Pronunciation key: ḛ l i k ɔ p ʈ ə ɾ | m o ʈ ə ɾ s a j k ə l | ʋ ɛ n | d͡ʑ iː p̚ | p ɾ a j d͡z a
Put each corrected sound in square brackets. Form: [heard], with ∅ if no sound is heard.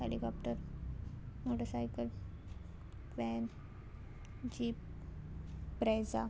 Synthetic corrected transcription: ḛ l i k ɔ p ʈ ə ɾ | m o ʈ ə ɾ s a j k ə l | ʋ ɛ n | d͡ʑ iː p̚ | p ɾ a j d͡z a